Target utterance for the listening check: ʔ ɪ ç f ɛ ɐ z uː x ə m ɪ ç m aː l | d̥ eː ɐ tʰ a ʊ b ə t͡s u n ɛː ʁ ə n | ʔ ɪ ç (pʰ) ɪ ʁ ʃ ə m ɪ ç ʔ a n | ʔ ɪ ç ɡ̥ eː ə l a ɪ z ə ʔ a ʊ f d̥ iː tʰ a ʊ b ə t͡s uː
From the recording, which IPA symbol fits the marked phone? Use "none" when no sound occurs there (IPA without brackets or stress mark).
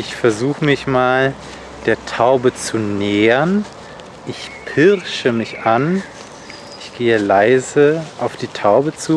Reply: pʰ